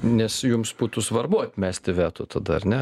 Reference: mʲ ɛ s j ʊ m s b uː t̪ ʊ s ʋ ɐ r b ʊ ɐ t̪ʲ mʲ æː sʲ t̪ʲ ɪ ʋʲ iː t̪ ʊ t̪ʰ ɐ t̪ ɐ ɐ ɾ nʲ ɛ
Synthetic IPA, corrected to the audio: nʲ ɛ s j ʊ m s b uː t̪ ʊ s ʋ ɐ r b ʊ ɐ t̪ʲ mʲ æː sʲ t̪ʲ ɪ ʋʲ æː t̪ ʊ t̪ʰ ɐ d̪ ɐ ɐ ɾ nʲ ɛ

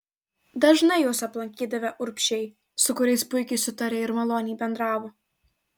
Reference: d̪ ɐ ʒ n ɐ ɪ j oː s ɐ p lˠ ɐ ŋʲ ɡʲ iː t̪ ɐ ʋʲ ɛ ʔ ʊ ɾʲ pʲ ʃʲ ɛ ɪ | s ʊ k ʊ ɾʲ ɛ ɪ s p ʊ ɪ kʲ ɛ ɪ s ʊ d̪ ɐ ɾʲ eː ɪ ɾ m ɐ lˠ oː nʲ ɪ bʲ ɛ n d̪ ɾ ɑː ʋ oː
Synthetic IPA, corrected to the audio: d̪ ɐ ʒ n ɐ ɪ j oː s ɐ p lˠ ɐ ŋʲ kʲ iː d̪ ɐ ʋʲ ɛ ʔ ʊ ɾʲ pʲ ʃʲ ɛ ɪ | s ʊ k ʊ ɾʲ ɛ ɪ s p ʊ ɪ kʲ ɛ ɪ s ʊ t̪ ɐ ɾʲ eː ɪ ɾ m ɐ lˠ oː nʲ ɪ bʲ ɛ n d̪ ɾ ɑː ʋ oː

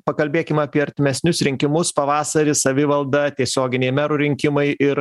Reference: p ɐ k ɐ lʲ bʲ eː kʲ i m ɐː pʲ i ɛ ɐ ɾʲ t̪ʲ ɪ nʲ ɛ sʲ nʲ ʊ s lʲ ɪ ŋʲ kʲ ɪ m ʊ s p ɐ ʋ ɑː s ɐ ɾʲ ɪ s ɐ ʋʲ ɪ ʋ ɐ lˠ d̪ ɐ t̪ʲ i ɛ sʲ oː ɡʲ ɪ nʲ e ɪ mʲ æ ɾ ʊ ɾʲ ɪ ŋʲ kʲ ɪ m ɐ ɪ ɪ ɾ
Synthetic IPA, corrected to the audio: p ɐ k ɐ lʲ bʲ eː kʲ ɪ m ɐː pʲ i ɛ ɐ ɾʲ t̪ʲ ɪ mʲ ɛ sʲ nʲ ʊ s ɾʲ ɪ ŋʲ kʲ ɪ m ʊ s p ɐ ʋ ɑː s ɐ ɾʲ ɪ s ɐ ʋʲ ɪ ʋ ɐ lˠ d̪ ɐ t̪ʲ i ɛ sʲ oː ɡʲ ɪ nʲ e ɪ mʲ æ ɾ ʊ ɾʲ ɪ ŋʲ kʲ ɪ m ɐ ɪ ɪ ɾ

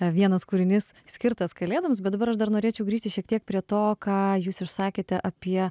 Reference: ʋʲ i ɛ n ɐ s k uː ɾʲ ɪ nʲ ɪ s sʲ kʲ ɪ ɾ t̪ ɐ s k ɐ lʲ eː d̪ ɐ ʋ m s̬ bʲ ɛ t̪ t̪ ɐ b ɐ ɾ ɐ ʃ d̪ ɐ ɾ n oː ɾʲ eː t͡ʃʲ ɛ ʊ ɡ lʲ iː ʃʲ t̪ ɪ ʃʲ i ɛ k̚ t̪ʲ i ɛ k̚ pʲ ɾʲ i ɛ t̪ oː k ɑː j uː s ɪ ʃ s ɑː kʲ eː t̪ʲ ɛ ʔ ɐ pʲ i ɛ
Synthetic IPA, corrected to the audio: ʋʲ i ɛ n ɐ s k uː ɾʲ ɪ nʲ ɪ s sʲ kʲ ɪ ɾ t̪ ɐ s k ɐ lʲ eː d̪ ɐ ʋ m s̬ bʲ ɛ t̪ d̪ ɐ b ɐ ɾ ɐ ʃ d̪ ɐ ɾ n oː ɾʲ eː t͡ʃʲ ɛ ʊ ɡ ɾʲ iː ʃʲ t̪ ɪ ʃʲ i ɛ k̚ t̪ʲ i ɛ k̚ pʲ ɾʲ i ɛ t̪ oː k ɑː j uː s ɪ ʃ s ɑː kʲ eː t̪ʲ ɛ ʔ ɐ pʲ i ɛ

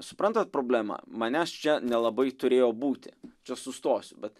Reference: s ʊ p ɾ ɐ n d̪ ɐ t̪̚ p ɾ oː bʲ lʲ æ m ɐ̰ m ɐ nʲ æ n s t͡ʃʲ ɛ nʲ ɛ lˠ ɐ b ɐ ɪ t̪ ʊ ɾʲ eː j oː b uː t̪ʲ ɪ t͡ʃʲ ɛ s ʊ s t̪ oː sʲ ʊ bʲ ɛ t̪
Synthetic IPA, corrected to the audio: s ʊ p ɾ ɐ n t̪ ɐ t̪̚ p ɾ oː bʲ lʲ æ m ɐ̰ m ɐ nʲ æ s t͡ʃʲ ɛ nʲ ɛ lˠ ɐ b ɐ ɪ t̪ ʊ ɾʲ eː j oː b uː t̪ʲ ɪ t͡ʃʲ ɛ s ʊ s t̪ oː sʲ ʊ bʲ ɛ t̪

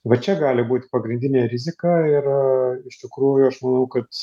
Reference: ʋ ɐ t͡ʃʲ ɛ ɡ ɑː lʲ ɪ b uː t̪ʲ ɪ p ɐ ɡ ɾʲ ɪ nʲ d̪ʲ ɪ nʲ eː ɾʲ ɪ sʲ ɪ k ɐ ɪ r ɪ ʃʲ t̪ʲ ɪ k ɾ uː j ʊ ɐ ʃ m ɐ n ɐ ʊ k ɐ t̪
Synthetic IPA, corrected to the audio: ʋ ɐ t͡ʃʲ ɛ ɡ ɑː lʲ ɪ b uː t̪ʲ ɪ p ɐ ɡ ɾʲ ɪ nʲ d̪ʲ ɪ nʲ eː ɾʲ ɪ zʲ ɪ k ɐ ɪ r ɪ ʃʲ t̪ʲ ɪ k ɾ uː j ʊ ɐ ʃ m ɐ n ɐ ʊ k ɐ t̪

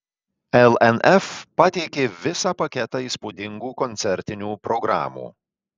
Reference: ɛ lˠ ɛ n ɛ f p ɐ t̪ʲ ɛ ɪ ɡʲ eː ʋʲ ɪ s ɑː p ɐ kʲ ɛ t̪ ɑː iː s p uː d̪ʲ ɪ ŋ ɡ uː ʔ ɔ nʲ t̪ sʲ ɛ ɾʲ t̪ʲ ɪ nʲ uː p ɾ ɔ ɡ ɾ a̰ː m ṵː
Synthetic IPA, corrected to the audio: ɛ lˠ ɛ n ɛ f p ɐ t̪ʲ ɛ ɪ kʲ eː ʋʲ ɪ s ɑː p ɐ kʲ ɛ t̪ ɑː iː s p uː d̪ʲ ɪ ŋ ɡ uː k ɔ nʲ t̪ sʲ ɛ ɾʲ t̪ʲ ɪ nʲ uː p ɾ ɔ ɡ ɾ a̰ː m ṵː

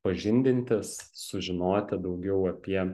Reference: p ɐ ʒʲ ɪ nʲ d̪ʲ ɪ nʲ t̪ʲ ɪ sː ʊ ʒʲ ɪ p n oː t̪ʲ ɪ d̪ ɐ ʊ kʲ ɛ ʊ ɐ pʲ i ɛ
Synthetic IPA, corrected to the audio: p ɐ ʒʲ ɪ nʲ d̪ʲ ɪ nʲ t̪ʲ ɪ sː ʊ ʒʲ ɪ n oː t̪ʲ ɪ d̪ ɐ ʊ ɡʲ ɛ ʊ ɐ pʲ i ɛ

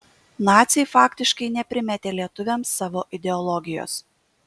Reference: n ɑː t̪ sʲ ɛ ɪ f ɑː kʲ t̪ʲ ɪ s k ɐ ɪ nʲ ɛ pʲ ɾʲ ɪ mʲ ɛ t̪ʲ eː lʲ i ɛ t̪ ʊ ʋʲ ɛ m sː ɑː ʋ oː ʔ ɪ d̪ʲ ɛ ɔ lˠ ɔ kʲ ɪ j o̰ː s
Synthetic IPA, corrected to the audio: n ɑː t̪ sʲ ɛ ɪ f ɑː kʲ t̪ʲ ɪ ʃ k ɐ ɪ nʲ ɛ pʲ ɾʲ ɪ mʲ ɛ t̪ʲ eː lʲ i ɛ t̪ ʊ ʋʲ ɛ m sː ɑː ʋ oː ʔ ɪ d̪ʲ ɛ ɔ lˠ ɔ ɡʲ ɪ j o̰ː s

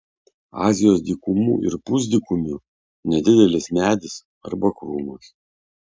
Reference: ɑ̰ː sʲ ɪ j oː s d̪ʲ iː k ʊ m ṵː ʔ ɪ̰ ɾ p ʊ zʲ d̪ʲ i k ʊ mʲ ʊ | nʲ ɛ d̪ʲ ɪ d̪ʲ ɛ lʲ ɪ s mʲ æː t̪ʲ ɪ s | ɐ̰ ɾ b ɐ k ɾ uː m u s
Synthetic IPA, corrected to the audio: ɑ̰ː zʲ ɪ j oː s d̪ʲ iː k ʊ m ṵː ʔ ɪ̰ ɾ p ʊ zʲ d̪ʲ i k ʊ mʲ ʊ | nʲ ɛ d̪ʲ ɪ d̪ʲ ɛ lʲ ɪ s mʲ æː d̪ʲ ɪ s | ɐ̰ ɾ b ɐ k ɾ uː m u s

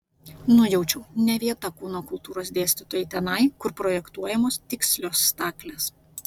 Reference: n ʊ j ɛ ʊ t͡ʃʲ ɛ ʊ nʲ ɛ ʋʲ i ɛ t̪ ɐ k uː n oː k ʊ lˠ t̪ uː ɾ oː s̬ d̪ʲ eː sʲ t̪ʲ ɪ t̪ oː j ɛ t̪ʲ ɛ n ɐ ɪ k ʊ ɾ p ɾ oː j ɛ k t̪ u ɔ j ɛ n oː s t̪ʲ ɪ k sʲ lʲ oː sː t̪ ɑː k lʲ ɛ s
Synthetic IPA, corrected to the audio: n ʊ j ɛ ʊ t͡ʃʲ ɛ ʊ nʲ ɛ ʋʲ i ɛ t̪ ɐ k uː n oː k ʊ lˠ t̪ uː ɾ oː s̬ d̪ʲ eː sʲ t̪ʲ ɪ t̪ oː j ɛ t̪ʲ ɛ n ɐ ɪ k ʊ ɾ p ɾ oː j ɛ k t̪ u ɔ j ɛ m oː s t̪ʲ ɪ k sʲ lʲ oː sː t̪ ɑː k lʲ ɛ s

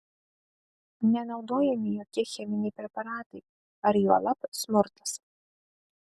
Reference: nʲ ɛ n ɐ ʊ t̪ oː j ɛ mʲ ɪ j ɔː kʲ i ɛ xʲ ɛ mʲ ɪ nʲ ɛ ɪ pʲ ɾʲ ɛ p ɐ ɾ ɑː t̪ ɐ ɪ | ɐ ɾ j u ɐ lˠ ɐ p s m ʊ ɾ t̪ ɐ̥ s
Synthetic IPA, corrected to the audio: nʲ ɛ n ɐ ʊ d̪ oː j ɛ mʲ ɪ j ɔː kʲ i ɛ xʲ ɛ mʲ ɪ nʲ ɛ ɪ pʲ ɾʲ ɛ p ɐ ɾ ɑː t̪ ɐ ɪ | ɐ ɾ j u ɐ lˠ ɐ p s m ʊ ɾ t̪ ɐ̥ s

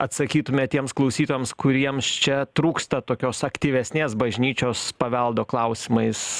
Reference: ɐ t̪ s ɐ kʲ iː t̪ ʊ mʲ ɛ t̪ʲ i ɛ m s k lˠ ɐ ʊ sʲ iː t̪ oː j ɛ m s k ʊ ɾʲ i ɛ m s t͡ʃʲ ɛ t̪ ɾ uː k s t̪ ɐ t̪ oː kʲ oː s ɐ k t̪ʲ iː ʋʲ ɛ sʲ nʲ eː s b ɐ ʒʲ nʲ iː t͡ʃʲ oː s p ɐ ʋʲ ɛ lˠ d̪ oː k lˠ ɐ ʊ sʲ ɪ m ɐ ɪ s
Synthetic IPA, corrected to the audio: ɐ t̪ s ɐ kʲ iː t̪ ʊ mʲ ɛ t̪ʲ i ɛ m s k lˠ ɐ ʊ sʲ iː t̪ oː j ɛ m s k ʊ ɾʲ i ɛ m s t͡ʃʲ ɛ t̪ ɾ uː k s t̪ ɐ t̪ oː kʲ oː s ɐ k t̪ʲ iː ʋʲ ɛ sʲ nʲ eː s b ɐ ʒʲ nʲ iː t͡ʃʲ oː s p ɐ ʋʲ ɛ lˠ d̪ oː k lˠ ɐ ʊ sʲ ɪ m ɐ ɪ s

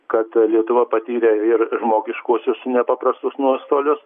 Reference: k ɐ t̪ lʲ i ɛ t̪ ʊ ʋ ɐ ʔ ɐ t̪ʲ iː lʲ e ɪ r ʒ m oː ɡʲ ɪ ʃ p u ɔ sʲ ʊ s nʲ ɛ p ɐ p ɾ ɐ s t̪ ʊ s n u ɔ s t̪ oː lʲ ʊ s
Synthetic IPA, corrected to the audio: k ɐ t̪ lʲ i ɛ t̪ ʊ ʋ ɐ p ɐ t̪ʲ iː ɾʲ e ɪ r ʒ m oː ɡʲ ɪ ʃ k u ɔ sʲ ʊ s nʲ ɛ p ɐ p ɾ ɐ s t̪ ʊ s n u ɔ s t̪ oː lʲ ʊ s

